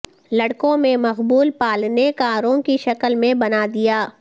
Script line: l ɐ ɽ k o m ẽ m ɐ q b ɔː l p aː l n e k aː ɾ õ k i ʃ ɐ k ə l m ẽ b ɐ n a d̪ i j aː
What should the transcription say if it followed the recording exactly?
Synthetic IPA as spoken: l ɐ ɽ k õ m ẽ m ɐ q b uː l p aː l n e k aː ɾ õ k i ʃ ɐ k ə l m ẽ b ɐ n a d̪ i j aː